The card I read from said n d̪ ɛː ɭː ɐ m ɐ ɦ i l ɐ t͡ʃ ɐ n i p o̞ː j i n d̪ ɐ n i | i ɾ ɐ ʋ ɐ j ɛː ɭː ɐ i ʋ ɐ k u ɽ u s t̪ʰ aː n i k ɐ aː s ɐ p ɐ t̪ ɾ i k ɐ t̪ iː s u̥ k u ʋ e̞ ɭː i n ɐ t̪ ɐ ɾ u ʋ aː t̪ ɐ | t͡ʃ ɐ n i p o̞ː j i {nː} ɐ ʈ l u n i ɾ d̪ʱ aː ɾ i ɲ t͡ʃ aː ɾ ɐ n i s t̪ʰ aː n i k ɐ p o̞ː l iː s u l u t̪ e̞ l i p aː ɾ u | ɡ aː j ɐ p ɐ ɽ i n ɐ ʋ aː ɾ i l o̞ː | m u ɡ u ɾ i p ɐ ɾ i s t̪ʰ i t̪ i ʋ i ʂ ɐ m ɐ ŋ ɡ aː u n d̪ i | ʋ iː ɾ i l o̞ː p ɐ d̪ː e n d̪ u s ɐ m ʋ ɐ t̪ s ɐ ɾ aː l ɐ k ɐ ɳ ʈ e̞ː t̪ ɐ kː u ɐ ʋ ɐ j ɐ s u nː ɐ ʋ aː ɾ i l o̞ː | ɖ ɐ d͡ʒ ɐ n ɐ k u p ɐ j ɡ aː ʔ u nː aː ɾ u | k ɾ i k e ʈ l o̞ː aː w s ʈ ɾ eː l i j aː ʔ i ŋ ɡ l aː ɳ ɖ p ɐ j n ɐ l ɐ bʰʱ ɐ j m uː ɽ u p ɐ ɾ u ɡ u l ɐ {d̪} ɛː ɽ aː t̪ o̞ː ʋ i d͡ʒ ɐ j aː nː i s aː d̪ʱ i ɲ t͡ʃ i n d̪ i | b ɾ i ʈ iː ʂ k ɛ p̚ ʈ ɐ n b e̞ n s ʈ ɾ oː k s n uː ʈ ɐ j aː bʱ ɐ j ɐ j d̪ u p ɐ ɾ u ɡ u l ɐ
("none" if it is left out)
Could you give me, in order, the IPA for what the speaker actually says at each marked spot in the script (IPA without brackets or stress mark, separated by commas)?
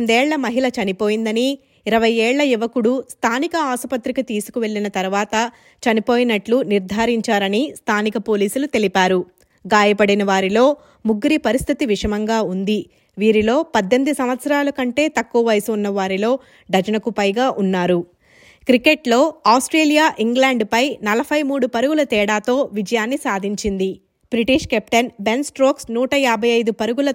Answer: n, t̪